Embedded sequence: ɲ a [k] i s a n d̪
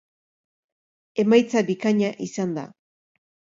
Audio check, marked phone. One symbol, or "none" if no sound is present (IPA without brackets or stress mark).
ʔ